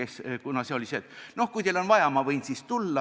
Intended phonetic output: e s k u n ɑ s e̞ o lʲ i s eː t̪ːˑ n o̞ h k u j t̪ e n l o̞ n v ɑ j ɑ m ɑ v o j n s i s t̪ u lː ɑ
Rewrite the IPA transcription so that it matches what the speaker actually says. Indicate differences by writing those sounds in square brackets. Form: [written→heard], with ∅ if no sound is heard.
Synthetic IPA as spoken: e s k u n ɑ s e̞ o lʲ i s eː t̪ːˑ n o̞ h k u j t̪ e [n→∅] l o̞ n v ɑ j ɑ m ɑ v [o→ɤ] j n s i s t̪ u lː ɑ